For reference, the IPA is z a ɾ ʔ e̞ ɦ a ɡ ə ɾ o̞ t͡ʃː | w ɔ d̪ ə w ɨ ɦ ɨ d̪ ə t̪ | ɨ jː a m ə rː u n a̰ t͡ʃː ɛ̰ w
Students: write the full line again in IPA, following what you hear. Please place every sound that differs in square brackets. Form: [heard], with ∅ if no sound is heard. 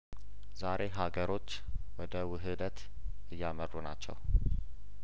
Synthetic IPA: z a ɾ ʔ e̞ ɦ a ɡ ə ɾ o̞ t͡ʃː | w ɔ d̪ ə w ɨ ɦ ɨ d̪ ə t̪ | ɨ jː a m ə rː u n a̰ t͡ʃː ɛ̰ w